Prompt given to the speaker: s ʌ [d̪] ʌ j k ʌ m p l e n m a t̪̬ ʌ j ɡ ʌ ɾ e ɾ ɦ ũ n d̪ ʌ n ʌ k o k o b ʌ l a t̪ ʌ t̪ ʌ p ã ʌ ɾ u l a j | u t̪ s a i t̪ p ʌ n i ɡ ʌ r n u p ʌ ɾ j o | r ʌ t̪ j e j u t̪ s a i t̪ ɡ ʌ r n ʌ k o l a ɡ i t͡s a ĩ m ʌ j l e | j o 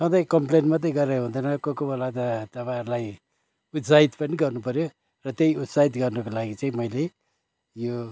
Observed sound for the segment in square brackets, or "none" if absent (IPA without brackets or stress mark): d̪